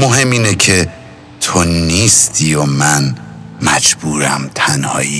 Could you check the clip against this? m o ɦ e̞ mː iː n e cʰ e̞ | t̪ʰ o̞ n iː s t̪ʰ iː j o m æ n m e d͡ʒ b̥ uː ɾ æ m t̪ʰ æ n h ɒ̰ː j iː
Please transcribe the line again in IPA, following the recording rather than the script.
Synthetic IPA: m o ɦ e̞ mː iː n e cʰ e̞ | t̪ʰ o̞ n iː s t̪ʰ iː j o m æ n m æ d͡ʒ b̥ uː ɾ æ m t̪ʰ æ n h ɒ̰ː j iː